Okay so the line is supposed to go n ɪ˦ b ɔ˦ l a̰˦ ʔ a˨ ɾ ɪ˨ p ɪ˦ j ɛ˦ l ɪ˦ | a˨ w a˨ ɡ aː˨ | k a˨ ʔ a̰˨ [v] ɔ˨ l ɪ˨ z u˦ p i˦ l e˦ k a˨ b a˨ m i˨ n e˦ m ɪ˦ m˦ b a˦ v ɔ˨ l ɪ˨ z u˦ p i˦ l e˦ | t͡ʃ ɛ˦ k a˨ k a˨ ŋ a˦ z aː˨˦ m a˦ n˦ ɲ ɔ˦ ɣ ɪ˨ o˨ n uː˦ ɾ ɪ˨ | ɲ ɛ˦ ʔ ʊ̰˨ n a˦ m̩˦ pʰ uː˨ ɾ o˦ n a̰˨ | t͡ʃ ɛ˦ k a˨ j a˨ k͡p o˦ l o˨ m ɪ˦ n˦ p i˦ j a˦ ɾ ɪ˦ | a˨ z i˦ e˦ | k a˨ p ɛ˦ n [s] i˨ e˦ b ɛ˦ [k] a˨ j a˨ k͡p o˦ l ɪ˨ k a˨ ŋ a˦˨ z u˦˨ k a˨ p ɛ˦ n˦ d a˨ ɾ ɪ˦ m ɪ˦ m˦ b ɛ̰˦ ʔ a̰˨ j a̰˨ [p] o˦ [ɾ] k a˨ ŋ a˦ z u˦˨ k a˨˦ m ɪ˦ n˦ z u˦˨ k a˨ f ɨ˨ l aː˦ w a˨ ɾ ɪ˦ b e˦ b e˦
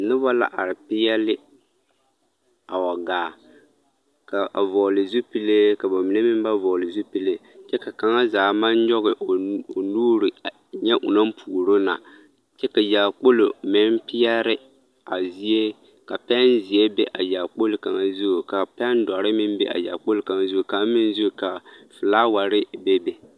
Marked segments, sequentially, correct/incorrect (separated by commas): correct, incorrect, incorrect, incorrect, incorrect